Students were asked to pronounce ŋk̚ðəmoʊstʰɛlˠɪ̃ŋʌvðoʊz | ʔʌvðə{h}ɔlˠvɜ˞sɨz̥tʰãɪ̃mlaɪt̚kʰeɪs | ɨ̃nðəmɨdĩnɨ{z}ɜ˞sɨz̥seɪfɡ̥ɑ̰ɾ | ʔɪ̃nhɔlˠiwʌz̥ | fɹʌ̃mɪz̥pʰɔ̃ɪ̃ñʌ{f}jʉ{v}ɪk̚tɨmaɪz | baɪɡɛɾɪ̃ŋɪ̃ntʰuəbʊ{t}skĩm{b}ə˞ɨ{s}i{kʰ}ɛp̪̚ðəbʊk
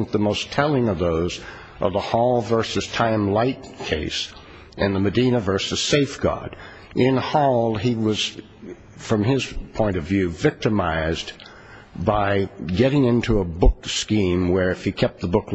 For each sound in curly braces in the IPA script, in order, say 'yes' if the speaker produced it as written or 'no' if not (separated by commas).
yes, no, no, yes, no, no, no, yes